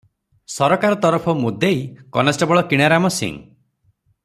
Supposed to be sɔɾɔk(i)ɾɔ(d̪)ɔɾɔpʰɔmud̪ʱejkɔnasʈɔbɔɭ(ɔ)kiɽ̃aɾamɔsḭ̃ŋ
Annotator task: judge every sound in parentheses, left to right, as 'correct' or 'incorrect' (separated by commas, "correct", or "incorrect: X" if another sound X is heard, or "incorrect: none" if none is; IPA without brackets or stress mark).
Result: incorrect: a, incorrect: t̪, correct